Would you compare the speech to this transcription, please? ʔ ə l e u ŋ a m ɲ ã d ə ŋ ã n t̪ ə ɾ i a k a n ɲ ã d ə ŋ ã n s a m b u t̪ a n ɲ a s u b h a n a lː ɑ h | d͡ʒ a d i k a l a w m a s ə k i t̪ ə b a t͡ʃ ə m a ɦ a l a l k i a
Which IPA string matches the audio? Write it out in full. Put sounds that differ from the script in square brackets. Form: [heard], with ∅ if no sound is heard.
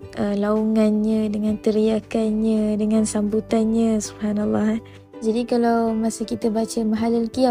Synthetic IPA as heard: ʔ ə l [a] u ŋ a [n] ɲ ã d ə ŋ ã n t̪ ə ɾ i a k a n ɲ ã d ə ŋ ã n s a m b u t̪ a n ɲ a s u b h a n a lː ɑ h | d͡ʒ a d i k a l a w m a s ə k i t̪ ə b a t͡ʃ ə m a ɦ a l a l k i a